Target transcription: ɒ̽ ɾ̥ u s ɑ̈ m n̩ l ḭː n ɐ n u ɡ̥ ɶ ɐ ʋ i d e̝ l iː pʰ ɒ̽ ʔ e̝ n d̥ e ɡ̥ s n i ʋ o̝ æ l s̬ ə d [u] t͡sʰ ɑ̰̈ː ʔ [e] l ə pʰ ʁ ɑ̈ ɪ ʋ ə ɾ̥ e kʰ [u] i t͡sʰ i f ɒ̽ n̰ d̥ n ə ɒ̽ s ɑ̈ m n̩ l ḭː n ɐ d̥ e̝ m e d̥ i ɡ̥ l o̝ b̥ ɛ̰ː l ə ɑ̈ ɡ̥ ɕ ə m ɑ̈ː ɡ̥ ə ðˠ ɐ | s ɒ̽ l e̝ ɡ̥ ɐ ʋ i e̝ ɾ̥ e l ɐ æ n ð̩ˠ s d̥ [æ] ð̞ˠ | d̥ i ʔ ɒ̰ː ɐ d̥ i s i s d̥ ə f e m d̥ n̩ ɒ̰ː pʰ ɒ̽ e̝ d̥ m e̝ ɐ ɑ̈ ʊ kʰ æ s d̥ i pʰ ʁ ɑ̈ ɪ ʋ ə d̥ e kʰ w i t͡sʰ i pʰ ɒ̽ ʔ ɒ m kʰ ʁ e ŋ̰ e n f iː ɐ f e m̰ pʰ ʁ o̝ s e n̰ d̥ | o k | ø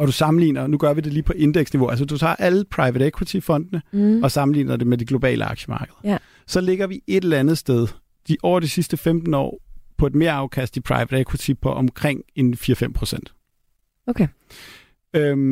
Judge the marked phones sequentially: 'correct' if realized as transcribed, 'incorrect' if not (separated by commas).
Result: correct, incorrect, incorrect, incorrect